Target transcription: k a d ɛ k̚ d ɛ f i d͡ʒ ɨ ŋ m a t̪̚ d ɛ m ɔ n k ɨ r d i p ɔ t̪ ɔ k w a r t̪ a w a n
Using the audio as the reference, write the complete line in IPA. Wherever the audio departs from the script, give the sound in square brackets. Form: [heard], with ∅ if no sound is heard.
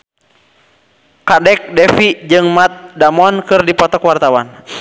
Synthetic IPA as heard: k a d ɛ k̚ d ɛ f i d͡ʒ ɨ ŋ m a t̪̚ d [a] m ɔ n k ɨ r d i p ɔ t̪ ɔ k w a r t̪ a w a n